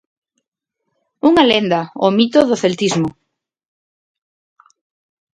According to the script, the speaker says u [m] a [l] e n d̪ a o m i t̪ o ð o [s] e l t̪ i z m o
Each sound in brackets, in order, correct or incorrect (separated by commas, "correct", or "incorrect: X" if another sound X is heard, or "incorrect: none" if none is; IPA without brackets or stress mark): incorrect: ŋ, correct, incorrect: θ